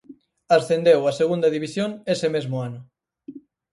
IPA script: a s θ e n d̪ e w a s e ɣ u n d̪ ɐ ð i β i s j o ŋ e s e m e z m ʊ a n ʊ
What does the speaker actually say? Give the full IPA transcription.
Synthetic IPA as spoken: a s θ e n d̪ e w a s e ɣ u n d̪ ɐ ð i β i s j o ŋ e s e m e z m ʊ a n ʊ